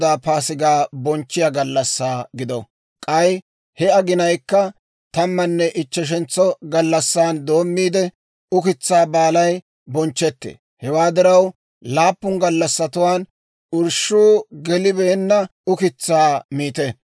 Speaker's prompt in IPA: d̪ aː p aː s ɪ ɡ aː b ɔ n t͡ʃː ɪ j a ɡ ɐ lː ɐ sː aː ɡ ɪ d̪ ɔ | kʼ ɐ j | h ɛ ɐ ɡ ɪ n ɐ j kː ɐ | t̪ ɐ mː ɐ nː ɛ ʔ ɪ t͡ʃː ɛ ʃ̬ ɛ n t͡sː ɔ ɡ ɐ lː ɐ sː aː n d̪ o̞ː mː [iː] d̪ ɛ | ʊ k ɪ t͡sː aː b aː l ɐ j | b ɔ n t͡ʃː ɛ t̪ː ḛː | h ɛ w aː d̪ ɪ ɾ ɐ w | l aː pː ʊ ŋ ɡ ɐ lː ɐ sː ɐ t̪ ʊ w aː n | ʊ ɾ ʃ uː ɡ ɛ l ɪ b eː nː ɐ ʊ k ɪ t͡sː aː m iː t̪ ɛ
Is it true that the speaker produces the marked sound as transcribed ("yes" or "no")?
yes